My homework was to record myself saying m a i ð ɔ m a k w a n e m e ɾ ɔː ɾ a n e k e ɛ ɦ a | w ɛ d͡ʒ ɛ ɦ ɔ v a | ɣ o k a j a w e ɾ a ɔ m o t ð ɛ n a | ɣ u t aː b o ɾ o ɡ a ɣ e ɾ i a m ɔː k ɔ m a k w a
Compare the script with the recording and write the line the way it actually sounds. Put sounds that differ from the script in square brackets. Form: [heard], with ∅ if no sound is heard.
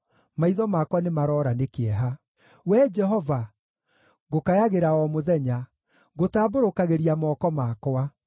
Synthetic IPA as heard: m a i ð ɔ m a k w a n e m [a] ɾ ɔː ɾ a n e k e ɛ ɦ a | w ɛ d͡ʒ ɛ ɦ ɔ v a | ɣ o k a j a [ɣ] e ɾ a ɔ m o [∅] ð ɛ [ɲ] a | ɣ [o] t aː b o ɾ o [k] a ɣ e ɾ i a m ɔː k ɔ m a k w a